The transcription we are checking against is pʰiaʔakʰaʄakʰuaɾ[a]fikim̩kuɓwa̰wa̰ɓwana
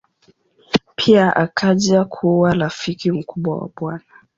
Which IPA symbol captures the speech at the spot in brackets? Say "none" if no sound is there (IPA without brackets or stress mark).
a